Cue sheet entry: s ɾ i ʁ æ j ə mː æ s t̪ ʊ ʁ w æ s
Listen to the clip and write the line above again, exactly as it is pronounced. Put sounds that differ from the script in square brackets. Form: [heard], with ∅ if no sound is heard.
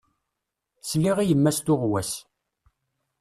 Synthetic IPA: s [l] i ʁ [i] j ə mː æ s t̪ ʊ ʁ w æ s